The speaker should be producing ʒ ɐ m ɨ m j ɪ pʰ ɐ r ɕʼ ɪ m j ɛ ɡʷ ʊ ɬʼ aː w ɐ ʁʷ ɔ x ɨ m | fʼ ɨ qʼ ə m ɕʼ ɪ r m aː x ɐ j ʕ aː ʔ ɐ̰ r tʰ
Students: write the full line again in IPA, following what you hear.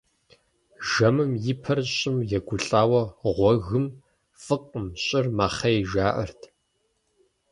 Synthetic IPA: ʒ ɐ m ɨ m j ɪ pʰ ɐ r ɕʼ ɪ m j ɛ ɡʷ ʊ ɬʼ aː w ɐ ʁʷ ɔ ɣ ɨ m | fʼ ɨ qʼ ə m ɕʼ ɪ r m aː χ ɐ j ʒ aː ʔ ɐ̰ r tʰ

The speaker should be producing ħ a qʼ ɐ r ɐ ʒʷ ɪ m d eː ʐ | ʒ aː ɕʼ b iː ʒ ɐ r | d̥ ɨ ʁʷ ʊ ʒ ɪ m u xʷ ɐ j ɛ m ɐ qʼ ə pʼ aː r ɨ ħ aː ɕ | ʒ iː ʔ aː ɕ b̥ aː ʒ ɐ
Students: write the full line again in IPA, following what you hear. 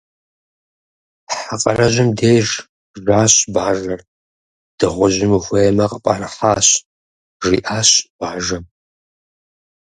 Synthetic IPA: ħ a qʼ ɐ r ɐ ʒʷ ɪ m d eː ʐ | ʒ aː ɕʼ b aː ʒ ɐ r | d̥ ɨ ʁʷ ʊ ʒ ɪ m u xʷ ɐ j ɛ m ɐ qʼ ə pʼ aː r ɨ ħ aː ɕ | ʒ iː ʔ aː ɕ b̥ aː ʒ ɐ

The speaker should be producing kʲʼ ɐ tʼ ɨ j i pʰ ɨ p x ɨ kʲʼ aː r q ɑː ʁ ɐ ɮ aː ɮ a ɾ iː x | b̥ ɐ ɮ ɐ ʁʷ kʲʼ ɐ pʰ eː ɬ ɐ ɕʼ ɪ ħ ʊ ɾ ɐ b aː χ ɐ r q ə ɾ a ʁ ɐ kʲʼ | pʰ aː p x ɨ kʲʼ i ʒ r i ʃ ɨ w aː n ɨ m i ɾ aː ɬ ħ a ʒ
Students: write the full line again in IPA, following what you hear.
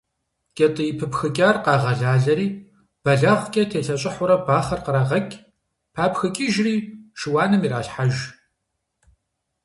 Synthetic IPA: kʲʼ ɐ tʼ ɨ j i pʰ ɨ p x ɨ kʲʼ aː r q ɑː ʁ ɐ ɮ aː ɮ ɐ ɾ iː | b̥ ɐ ɮ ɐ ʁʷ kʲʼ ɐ tʰ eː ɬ ɐ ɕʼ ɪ ħ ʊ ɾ ɐ b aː χ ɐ r q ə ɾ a ʁ ɐ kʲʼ | pʰ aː p x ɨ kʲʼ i ʒ r iː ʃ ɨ w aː n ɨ m i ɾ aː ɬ ħ a ʒ

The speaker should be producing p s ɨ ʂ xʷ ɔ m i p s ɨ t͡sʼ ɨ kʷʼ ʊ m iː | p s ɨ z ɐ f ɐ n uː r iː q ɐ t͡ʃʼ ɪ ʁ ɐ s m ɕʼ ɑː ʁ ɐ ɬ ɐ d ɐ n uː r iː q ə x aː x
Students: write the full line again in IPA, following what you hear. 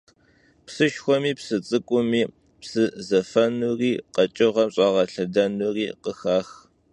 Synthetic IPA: p s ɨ ʃ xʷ ɔ m iː p s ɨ t͡sʼ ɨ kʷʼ ʊ m iː | p s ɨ z ɐ f ɐ n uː r iː q ɐ t͡ʃʼ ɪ ʁ ɐ m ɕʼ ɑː ʁ ɐ ɬ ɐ d ɐ n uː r iː q ə x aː x

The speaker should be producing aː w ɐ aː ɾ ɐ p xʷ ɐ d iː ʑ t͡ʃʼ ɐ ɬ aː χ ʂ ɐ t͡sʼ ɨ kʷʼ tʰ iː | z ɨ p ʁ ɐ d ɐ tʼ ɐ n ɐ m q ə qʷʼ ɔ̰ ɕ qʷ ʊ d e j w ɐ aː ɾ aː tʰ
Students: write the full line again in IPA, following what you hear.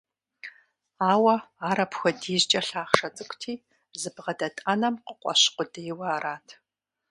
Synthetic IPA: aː w ɐ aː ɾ ɐ p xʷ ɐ d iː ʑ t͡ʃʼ ɐ ɬ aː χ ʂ ɐ t͡sʼ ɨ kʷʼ tʰ iː | z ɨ b ʁ ɐ d ɐ tʼ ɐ n ɐ m q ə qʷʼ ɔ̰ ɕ qʷ ʊ d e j w ɐ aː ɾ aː tʰ

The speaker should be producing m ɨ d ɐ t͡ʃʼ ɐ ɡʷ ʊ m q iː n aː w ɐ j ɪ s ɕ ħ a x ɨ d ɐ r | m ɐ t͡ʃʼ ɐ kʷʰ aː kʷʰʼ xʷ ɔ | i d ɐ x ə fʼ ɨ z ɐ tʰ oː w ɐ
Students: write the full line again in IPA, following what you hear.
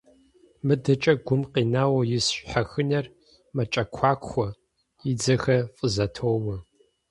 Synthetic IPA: m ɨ d ɐ t͡ʃʼ ɐ ɡʷ ʊ m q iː n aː w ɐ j ɪ s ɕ ħ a x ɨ n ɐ r | m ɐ t͡ʃʼ ɐ kʷʰ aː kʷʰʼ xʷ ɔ | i d͡z ɐ x ɐ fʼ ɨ z ɐ tʰ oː w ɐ

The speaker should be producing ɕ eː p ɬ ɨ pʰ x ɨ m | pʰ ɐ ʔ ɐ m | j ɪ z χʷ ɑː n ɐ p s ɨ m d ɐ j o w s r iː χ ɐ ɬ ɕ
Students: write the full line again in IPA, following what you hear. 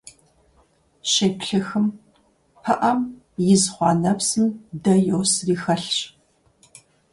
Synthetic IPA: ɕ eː p ɬ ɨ x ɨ m | pʰ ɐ ʔ ɐ m | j ɪ z χʷ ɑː n ɐ p s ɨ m d ɐ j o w s r iː x ɐ ɬ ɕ

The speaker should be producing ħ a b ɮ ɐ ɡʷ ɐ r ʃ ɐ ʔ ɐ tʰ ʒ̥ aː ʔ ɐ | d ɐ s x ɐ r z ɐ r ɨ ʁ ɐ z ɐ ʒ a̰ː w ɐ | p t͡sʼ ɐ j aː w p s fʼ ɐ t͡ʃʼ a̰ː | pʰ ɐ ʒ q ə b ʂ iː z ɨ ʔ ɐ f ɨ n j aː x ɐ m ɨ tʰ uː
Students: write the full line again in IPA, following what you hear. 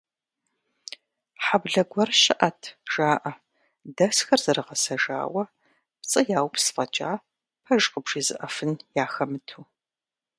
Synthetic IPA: ħ a b ɮ ɐ ɡʷ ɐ r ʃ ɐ ʔ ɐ tʰ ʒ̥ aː ʔ ɐ | d ɐ s x ɐ r z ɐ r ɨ ʁ ɐ s ɐ ʒ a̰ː w ɐ | p t͡sʼ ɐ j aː w p s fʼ ɐ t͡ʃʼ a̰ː | pʰ ɐ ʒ q ə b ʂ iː z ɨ ʔ ɐ f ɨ n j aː x ɐ m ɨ tʰ uː

